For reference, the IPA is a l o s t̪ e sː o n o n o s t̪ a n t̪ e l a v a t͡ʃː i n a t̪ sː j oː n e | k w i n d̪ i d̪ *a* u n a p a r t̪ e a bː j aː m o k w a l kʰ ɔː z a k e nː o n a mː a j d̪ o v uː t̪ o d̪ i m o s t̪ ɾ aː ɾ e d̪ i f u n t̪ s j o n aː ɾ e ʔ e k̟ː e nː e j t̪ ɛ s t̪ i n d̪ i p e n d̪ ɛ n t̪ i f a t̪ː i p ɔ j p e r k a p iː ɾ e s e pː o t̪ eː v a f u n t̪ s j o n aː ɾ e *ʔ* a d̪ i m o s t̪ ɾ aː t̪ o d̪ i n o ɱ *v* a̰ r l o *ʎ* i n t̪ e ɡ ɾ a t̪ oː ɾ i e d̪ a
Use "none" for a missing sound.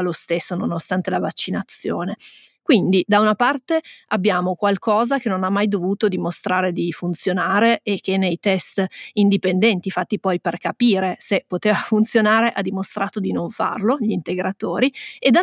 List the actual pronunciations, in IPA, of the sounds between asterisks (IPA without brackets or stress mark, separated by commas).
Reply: a, ʔ, f, ʎ